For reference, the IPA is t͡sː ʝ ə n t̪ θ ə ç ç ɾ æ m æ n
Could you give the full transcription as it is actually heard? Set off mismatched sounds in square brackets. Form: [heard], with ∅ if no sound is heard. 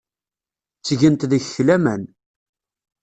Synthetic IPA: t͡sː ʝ ə n t̪ [ð] ə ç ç [l] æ m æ n